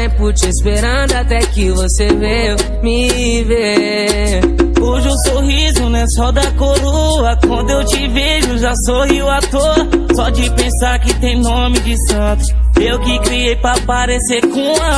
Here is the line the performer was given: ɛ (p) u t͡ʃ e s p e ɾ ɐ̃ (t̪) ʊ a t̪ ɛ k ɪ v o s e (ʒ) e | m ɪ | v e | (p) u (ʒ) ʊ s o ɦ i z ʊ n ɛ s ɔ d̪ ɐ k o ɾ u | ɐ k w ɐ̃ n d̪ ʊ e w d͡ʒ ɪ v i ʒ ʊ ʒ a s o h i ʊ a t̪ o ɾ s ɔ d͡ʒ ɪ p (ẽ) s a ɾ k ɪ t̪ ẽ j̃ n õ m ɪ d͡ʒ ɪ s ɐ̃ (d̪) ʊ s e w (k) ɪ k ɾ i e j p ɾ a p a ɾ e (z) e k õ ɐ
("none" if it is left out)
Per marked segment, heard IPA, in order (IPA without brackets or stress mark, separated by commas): p, d̪, v, k, ʒ, ẽ, t̪, k, s